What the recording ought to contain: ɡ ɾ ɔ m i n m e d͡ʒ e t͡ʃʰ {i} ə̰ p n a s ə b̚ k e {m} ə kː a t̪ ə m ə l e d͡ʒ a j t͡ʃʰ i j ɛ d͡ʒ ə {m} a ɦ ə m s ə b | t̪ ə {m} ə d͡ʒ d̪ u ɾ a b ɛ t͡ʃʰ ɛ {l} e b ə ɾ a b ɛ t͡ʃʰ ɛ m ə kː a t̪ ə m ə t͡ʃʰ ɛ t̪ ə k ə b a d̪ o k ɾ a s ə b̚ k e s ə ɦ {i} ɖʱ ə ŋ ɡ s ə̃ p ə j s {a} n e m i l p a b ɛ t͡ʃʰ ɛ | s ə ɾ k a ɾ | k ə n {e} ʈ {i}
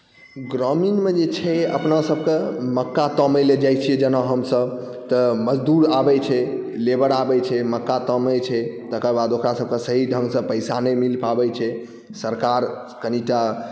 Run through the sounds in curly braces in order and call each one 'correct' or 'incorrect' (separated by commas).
incorrect, correct, incorrect, correct, correct, correct, correct, incorrect, incorrect